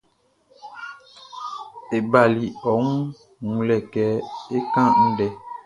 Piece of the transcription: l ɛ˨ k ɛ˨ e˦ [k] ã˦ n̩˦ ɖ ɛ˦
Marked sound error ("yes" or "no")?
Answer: no